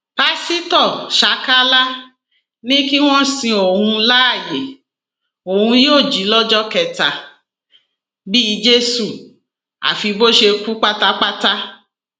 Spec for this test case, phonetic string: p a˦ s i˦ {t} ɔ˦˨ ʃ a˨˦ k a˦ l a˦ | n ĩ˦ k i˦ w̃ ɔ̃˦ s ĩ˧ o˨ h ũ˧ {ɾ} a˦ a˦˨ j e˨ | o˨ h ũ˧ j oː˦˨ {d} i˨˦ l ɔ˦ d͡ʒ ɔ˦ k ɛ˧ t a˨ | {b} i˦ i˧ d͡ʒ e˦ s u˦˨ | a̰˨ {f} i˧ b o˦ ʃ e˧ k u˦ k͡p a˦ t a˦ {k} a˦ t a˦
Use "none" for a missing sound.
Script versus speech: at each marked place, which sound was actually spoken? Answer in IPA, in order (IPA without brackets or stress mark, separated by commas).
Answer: t, l, d͡ʒ, b, f, k͡p